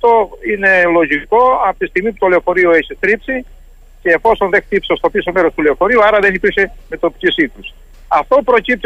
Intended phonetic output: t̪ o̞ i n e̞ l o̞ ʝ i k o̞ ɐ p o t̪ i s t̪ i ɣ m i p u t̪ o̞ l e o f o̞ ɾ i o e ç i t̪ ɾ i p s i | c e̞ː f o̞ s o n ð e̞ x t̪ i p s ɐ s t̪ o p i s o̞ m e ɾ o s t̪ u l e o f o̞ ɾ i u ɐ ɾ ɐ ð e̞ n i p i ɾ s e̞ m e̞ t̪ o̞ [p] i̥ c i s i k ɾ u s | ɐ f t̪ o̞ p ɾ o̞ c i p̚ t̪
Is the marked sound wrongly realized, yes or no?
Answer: no